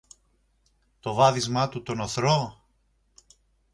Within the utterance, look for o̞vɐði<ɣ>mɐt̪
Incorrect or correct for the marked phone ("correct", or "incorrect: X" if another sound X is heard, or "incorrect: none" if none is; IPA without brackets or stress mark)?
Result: incorrect: z